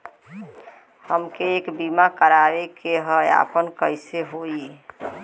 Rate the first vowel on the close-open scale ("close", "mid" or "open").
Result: mid